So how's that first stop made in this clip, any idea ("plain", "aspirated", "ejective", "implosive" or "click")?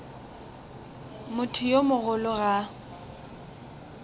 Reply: aspirated